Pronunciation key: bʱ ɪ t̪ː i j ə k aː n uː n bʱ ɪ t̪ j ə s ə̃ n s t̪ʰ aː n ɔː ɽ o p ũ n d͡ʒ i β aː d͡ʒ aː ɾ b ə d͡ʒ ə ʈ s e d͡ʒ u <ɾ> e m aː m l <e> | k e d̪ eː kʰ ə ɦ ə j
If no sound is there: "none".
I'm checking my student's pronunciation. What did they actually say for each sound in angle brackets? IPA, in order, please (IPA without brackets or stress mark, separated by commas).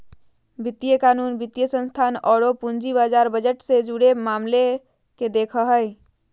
ɽ, e